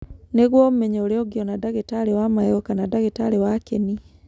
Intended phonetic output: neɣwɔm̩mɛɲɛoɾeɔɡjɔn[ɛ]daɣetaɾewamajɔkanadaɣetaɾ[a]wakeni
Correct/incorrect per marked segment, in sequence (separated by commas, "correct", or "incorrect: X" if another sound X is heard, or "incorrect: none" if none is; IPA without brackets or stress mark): incorrect: a, incorrect: e